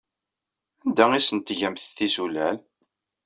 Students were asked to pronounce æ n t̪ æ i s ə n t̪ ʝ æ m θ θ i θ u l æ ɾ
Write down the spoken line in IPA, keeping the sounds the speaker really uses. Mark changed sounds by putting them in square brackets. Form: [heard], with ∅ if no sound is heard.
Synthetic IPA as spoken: æ n [d̪] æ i s ə n t̪ ʝ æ m θ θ i [s] u l æ [l]